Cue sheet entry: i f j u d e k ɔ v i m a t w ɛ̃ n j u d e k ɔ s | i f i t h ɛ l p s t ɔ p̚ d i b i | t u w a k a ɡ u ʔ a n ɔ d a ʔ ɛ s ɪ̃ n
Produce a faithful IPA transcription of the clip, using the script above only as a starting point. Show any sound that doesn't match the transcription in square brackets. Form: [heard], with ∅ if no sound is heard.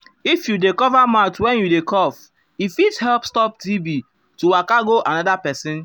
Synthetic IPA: i f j u d e k ɔ v [a] m a t w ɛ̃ n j u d e k ɔ [f] | i f i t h ɛ l p s t ɔ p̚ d i b i | t u w a k a ɡ [o] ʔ a n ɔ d a [p] ɛ s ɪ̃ n